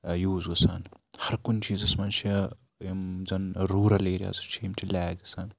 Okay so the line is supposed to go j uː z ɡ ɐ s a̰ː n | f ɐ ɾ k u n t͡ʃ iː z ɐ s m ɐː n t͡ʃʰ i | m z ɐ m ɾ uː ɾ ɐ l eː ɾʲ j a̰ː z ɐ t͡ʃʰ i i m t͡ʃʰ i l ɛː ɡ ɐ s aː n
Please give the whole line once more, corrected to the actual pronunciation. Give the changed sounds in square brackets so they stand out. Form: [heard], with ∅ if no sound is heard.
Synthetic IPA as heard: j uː z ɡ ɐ s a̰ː n | [h] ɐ ɾ k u n t͡ʃ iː z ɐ s m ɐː n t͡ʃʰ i | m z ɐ [n] ɾ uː ɾ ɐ l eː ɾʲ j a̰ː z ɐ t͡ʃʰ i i m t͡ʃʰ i l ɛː ɡ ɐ s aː n